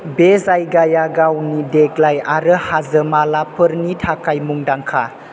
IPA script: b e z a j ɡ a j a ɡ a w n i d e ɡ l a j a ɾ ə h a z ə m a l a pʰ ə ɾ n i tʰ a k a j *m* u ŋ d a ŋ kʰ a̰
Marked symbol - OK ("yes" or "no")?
yes